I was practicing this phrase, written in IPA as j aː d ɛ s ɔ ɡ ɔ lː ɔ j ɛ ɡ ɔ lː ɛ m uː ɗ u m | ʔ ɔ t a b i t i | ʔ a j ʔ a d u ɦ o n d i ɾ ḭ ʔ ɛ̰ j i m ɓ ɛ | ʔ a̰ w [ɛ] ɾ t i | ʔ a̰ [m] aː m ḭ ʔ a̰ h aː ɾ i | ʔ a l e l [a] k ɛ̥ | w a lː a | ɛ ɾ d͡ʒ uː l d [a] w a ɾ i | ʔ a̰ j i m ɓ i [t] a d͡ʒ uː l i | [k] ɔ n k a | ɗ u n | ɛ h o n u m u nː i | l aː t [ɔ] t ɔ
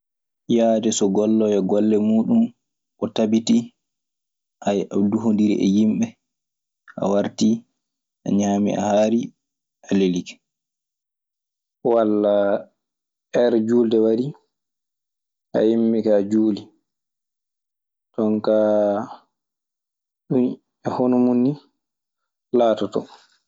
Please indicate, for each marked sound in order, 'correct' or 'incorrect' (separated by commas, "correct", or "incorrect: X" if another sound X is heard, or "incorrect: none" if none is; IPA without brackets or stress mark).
incorrect: a, incorrect: ɲ, incorrect: i, incorrect: ɛ, incorrect: k, incorrect: t, correct